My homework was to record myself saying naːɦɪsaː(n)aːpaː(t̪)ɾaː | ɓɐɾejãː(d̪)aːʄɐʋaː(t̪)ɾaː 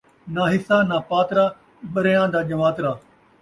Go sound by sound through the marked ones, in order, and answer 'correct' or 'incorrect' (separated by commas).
correct, correct, correct, correct